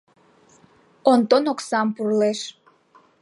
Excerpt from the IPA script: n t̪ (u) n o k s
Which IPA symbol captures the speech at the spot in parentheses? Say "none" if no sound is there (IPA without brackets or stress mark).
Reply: o